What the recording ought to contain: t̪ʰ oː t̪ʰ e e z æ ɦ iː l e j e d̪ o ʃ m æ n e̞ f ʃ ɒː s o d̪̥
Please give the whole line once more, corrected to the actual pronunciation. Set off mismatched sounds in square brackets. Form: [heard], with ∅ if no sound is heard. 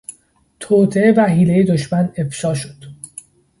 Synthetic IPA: t̪ʰ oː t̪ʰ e e [v] æ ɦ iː l e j e d̪ o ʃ m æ n e̞ f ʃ ɒː [ʃ] o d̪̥